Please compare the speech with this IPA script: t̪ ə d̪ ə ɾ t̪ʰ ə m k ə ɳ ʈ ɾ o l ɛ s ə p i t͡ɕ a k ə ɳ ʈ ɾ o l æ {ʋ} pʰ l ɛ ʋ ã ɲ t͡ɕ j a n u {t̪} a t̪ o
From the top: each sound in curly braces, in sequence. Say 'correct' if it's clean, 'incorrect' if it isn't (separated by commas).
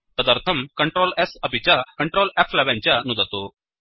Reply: incorrect, incorrect